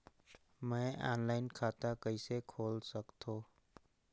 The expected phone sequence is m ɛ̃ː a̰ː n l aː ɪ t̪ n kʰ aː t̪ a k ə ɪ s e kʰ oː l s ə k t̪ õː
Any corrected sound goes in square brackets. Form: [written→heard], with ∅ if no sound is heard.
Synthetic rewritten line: m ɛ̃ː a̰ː n l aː ɪ [t̪→∅] n kʰ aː t̪ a k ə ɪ s e kʰ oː l s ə k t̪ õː